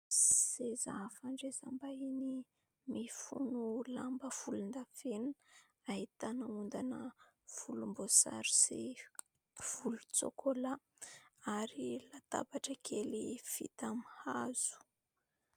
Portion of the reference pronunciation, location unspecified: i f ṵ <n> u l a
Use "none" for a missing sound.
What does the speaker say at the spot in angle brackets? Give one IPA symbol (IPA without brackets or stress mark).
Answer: n